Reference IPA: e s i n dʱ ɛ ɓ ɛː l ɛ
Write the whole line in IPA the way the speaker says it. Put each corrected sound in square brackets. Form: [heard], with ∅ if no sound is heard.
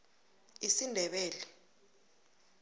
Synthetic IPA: [i] s i n dʱ ɛ ɓ ɛː l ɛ